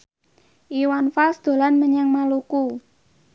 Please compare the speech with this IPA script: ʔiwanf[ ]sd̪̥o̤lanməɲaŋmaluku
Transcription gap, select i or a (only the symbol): a